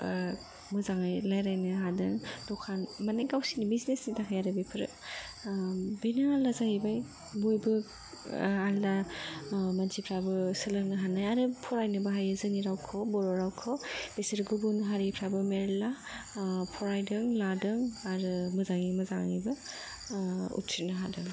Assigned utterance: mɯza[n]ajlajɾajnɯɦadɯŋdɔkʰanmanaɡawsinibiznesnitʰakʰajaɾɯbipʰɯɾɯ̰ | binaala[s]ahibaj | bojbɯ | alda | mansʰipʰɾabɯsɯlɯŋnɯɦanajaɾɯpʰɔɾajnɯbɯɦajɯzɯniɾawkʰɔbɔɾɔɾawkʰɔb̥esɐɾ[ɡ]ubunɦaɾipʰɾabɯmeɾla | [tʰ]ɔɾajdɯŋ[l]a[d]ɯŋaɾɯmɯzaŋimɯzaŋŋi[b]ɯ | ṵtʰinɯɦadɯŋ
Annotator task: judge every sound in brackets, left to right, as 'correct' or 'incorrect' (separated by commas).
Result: incorrect, incorrect, correct, incorrect, correct, correct, correct